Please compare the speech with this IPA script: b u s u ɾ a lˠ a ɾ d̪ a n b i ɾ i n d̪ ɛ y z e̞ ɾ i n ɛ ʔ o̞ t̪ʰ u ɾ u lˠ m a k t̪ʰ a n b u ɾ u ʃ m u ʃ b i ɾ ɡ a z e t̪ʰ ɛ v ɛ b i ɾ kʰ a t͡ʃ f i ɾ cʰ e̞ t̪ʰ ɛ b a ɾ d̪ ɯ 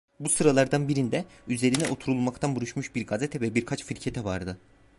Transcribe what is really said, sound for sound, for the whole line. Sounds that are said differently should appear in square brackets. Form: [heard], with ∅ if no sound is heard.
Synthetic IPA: b u s [ɯ] ɾ a lˠ a ɾ d̪ a n b i ɾ i n d̪ ɛ y z e̞ ɾ i n ɛ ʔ o̞ t̪ʰ u ɾ u lˠ m a k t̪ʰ a n b u ɾ u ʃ m u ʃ b i ɾ ɡ a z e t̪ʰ ɛ v ɛ b i ɾ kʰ a t͡ʃ f i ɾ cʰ e̞ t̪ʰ ɛ [v] a ɾ d̪ ɯ